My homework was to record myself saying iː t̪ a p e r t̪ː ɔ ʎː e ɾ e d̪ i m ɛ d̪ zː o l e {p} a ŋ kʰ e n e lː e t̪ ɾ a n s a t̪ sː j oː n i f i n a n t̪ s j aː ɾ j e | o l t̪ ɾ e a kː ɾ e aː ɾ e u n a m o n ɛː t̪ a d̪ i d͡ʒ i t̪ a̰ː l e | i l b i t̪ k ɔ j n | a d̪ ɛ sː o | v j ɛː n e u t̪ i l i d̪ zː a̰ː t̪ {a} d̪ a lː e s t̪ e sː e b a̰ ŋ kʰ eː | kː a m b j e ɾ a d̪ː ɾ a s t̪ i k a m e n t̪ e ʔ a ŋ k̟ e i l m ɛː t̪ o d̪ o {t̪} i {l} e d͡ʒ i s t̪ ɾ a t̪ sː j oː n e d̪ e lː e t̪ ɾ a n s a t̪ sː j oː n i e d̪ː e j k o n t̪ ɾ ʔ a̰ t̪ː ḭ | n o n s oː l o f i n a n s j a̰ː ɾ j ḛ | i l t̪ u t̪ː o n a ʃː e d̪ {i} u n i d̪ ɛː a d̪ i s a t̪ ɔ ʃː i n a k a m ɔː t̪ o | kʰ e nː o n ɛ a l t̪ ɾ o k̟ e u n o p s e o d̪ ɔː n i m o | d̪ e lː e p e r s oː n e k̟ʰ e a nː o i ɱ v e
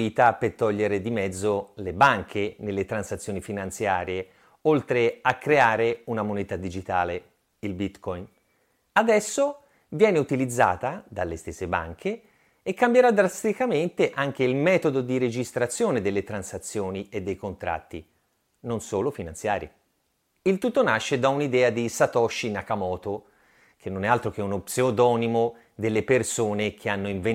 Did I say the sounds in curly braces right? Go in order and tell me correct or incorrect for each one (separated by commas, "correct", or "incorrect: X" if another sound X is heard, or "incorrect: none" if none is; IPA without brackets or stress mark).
incorrect: b, correct, incorrect: d̪, incorrect: ɾ, incorrect: a